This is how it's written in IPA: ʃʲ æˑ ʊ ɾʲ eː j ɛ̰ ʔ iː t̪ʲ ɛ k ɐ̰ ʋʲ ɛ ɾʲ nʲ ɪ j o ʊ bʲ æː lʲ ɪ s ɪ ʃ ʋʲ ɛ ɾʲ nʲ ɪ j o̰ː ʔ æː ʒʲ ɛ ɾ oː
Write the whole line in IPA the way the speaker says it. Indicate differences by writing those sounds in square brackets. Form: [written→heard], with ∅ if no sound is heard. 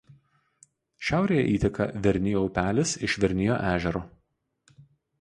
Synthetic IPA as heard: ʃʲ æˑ ʊ ɾʲ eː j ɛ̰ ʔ iː t̪ʲ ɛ k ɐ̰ ʋʲ ɛ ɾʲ nʲ ɪ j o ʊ [bʲ→pʲ] æː lʲ ɪ s ɪ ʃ ʋʲ ɛ ɾʲ nʲ ɪ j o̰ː ʔ æː ʒʲ ɛ ɾ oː